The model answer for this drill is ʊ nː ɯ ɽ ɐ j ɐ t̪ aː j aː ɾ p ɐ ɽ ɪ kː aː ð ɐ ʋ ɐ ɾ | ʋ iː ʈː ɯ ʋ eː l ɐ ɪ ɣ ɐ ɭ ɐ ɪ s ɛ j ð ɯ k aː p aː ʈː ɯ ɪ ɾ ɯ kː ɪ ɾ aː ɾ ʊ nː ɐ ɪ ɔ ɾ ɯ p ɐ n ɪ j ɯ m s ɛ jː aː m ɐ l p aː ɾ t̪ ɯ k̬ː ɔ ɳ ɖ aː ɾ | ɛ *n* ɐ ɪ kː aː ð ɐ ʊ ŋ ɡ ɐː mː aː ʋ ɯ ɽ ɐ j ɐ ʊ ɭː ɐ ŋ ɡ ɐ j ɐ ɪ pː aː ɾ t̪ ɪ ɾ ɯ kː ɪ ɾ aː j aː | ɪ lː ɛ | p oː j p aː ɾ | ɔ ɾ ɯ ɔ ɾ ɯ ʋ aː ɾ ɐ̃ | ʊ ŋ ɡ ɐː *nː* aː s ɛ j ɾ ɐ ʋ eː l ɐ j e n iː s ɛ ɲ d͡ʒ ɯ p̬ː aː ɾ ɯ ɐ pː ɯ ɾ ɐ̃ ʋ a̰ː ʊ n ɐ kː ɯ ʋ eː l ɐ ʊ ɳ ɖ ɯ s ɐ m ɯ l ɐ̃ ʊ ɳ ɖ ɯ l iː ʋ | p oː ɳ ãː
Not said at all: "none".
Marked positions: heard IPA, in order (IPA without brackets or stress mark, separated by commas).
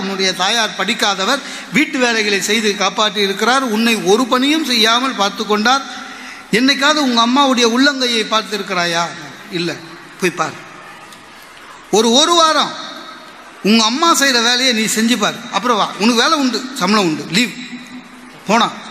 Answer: nː, mː